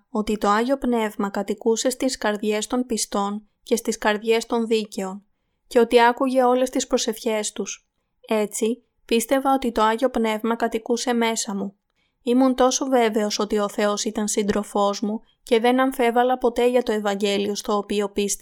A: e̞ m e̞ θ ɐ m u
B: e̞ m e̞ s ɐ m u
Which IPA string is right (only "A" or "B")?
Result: B